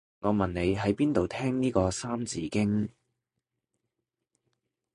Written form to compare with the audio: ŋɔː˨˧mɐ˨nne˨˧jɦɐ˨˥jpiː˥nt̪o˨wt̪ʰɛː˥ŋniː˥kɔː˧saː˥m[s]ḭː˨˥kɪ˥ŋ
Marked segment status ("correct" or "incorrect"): incorrect